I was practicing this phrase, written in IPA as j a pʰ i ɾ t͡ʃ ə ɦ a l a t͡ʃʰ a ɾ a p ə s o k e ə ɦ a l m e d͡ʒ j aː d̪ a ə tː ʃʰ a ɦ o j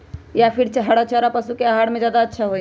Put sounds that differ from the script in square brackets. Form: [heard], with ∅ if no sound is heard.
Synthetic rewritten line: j a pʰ i ɾ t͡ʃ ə ɦ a [ɽ] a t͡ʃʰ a ɾ a p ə s [u] k e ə ɦ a [ɽ] m e d͡ʒ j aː d̪ a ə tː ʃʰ a ɦ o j